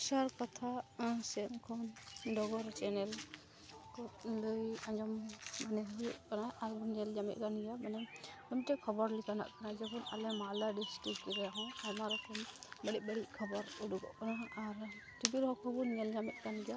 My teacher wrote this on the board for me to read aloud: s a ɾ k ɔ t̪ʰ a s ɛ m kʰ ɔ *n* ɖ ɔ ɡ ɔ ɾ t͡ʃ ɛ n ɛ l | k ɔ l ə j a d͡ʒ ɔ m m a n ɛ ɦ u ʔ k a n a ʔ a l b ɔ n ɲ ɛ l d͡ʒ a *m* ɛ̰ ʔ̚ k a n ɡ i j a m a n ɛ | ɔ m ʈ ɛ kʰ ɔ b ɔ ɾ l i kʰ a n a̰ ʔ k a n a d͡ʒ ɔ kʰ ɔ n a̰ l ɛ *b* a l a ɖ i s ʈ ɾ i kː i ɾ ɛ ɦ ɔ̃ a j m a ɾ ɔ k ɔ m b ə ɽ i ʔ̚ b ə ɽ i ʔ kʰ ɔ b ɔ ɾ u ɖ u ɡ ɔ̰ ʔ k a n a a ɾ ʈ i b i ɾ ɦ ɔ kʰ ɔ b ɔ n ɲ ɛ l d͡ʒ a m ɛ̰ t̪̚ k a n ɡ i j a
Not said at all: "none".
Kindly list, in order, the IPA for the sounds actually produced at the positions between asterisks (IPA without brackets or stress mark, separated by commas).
n, m, m